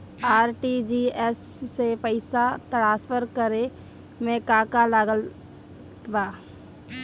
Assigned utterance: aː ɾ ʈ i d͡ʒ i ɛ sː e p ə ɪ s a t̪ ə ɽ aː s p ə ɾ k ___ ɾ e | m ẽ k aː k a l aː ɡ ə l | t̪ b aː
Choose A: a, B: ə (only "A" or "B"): B